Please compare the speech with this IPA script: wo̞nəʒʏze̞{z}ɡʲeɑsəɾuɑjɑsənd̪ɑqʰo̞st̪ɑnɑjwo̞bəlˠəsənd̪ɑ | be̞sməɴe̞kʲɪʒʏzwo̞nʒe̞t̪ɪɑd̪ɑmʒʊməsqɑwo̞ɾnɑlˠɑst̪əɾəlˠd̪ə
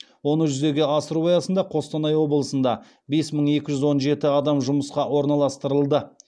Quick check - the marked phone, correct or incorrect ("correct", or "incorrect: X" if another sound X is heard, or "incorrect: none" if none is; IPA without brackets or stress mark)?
incorrect: none